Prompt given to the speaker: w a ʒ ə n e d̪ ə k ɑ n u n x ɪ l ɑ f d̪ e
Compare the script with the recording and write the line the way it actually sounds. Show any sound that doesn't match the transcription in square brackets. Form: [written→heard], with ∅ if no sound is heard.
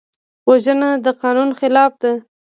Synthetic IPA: w a ʒ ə n [e→a] d̪ ə [k→q] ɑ n u n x ɪ l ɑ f d̪ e